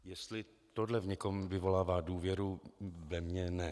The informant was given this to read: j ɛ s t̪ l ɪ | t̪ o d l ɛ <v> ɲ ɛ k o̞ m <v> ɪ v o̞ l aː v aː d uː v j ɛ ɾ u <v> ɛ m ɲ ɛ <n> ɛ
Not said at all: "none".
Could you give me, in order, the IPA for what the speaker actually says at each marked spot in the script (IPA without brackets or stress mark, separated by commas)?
v, v, v, n